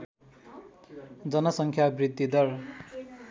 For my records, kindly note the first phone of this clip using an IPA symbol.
d͡z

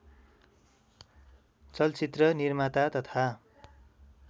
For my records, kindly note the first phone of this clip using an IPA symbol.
t͡s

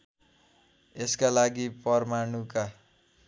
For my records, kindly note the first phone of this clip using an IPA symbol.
e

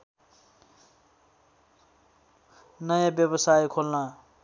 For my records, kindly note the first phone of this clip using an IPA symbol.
n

